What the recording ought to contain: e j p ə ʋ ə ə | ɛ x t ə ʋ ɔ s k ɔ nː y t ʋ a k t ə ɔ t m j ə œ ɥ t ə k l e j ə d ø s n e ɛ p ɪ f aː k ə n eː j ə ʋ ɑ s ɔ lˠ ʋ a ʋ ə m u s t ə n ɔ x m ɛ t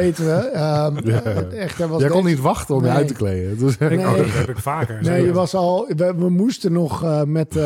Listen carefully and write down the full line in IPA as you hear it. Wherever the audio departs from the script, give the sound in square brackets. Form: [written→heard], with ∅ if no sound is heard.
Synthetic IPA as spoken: e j [p→t] ə ʋ ə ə | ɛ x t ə ʋ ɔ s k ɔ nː [y→i] t ʋ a [k→x] t ə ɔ [t→∅] m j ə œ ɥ t ə k l e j ə d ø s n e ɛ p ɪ f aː k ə n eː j ə ʋ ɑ s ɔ lˠ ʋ [a→ə] ʋ ə m u s t ə n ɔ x m ɛ t